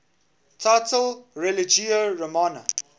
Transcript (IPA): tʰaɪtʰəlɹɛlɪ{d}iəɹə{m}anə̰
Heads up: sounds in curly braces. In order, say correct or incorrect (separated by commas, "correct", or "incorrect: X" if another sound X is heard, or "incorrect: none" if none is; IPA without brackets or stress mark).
incorrect: d͡ʒ, correct